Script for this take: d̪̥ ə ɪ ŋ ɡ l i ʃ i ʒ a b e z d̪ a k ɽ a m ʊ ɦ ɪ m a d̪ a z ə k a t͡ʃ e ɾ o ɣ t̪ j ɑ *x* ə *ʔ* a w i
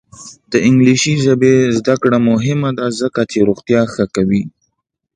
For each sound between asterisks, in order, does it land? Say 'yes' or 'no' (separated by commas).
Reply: yes, no